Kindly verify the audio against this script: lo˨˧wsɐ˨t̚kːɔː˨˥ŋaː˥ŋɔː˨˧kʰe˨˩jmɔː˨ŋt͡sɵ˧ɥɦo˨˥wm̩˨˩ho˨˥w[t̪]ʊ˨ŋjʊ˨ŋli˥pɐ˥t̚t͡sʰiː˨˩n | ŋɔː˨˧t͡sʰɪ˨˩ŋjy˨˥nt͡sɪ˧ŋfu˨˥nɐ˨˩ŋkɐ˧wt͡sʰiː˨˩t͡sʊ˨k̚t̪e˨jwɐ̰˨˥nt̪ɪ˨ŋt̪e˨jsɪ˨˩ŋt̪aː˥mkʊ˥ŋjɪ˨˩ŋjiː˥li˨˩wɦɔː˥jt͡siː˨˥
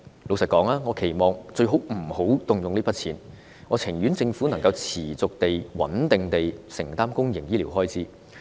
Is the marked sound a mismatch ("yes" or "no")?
no